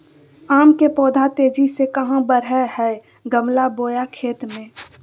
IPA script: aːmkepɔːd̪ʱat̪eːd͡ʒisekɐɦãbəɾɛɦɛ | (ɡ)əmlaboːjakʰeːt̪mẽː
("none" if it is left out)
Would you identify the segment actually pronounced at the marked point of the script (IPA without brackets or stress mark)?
ɡ